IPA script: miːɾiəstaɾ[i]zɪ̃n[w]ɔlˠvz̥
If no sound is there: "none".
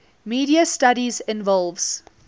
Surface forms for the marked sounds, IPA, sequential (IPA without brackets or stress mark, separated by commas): i, v